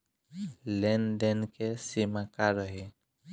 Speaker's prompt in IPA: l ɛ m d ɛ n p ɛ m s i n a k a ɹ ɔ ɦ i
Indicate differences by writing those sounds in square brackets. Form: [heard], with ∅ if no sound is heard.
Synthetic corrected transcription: l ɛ [n] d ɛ n [k] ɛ [∅] s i [m] a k a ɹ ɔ ɦ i